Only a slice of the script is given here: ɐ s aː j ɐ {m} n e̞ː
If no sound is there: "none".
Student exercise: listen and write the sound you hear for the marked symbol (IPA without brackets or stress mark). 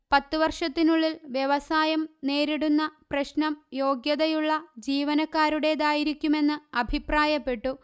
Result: m